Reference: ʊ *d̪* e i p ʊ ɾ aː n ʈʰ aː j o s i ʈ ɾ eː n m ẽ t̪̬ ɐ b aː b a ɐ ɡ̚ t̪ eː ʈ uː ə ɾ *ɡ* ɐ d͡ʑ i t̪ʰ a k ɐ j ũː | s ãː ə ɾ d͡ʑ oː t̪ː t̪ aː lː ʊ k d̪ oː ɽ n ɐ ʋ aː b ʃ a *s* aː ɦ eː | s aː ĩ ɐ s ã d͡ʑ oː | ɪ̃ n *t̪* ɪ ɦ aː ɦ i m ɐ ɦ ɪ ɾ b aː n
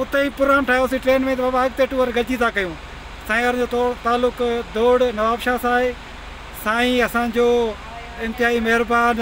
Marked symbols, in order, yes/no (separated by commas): no, yes, yes, yes